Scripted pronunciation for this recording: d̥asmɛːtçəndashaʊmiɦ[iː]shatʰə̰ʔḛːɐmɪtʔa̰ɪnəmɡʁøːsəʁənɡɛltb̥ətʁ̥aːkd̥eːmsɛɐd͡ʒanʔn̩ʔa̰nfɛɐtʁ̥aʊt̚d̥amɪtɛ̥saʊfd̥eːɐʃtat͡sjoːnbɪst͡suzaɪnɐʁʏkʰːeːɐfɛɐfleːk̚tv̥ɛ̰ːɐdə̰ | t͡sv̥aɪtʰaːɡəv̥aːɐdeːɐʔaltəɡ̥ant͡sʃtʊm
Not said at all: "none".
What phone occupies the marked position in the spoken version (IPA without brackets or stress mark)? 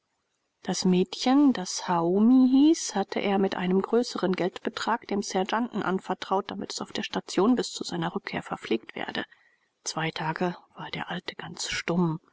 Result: iː